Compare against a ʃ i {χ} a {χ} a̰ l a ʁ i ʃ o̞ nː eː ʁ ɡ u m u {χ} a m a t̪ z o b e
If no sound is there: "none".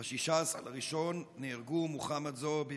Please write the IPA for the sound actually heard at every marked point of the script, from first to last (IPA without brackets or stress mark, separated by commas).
ʃ, s, χ